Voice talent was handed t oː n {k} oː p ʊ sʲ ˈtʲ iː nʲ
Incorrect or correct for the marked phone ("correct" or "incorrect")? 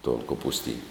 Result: correct